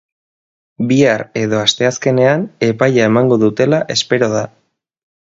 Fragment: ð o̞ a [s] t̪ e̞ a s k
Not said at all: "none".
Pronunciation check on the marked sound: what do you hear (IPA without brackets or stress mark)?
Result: s